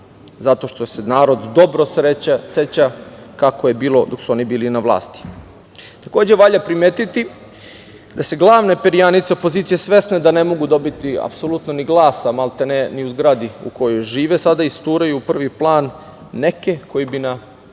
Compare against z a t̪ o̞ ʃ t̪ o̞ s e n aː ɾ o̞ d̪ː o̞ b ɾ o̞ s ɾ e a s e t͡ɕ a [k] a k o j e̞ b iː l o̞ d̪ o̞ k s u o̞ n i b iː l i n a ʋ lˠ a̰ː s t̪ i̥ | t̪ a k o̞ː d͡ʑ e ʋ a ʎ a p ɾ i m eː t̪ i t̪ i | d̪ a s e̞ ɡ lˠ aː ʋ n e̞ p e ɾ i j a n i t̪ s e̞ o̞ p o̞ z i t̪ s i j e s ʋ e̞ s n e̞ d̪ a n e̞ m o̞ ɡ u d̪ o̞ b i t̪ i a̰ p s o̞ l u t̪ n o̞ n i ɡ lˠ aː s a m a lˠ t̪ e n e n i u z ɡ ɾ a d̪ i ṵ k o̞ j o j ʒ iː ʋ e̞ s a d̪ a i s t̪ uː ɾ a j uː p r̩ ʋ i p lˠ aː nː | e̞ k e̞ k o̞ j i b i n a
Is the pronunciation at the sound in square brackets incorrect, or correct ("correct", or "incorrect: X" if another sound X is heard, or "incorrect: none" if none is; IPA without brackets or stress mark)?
correct